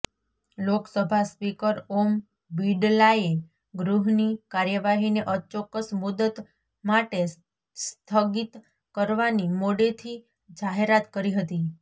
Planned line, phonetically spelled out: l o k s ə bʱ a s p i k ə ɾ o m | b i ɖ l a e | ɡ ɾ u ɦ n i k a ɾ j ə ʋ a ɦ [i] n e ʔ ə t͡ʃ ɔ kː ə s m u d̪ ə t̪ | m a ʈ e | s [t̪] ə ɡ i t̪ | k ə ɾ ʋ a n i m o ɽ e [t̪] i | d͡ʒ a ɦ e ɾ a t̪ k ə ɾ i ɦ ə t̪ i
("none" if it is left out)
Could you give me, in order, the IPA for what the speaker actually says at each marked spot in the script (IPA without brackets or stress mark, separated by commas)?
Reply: i, t̪ʰ, t̪ʰ